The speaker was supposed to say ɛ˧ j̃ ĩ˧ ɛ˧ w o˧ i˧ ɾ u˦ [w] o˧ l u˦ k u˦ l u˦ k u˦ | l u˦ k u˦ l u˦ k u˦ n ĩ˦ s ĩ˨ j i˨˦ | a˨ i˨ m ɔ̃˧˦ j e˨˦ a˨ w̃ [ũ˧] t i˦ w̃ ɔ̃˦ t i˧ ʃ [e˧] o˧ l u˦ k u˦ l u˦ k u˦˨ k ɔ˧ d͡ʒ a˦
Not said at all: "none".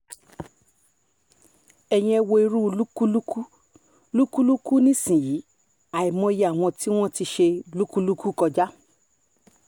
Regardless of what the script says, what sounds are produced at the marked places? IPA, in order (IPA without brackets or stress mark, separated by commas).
none, ɔ̃˧, e˧